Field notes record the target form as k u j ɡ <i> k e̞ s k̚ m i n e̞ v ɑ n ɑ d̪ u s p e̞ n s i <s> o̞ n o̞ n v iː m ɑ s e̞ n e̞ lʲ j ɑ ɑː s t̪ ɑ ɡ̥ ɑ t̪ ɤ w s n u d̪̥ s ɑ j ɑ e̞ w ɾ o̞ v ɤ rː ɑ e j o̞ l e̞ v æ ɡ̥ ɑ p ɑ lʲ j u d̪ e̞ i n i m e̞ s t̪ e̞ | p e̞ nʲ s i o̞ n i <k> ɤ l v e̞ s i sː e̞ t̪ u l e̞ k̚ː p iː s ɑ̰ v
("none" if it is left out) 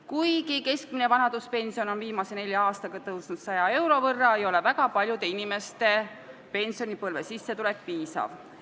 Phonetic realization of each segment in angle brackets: i, none, p

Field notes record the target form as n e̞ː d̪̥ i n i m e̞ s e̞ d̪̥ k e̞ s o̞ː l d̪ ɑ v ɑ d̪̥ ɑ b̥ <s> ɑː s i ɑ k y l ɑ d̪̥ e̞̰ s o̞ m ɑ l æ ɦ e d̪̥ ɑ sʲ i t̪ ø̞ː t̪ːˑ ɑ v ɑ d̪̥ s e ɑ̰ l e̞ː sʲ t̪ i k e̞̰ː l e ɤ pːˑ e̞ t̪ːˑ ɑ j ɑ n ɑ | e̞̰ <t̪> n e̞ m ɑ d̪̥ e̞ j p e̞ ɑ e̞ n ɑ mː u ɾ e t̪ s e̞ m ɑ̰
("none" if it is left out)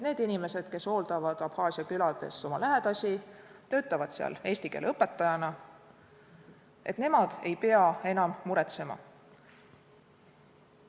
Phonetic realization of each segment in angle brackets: h, t̪

